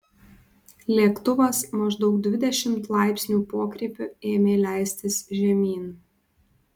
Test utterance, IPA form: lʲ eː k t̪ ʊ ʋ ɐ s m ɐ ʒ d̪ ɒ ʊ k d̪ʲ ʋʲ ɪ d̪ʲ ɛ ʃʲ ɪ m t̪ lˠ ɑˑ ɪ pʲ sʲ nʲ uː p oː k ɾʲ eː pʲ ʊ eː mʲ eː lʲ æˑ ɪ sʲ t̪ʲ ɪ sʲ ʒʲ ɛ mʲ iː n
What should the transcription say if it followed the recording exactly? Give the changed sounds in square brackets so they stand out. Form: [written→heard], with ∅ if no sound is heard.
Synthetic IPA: lʲ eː k t̪ ʊ ʋ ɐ s m ɐ ʒ d̪ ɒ ʊ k d̪ʲ ʋʲ ɪ d̪ʲ ɛ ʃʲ ɪ m t̪ lˠ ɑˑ ɪ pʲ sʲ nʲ uː p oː k ɾʲ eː pʲ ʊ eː mʲ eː lʲ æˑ ɪ sʲ t̪ʲ ɪ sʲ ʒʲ ɛ mʲ iː n